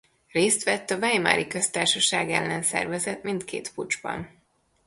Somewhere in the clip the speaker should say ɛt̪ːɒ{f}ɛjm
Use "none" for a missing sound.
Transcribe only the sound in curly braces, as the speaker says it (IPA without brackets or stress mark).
v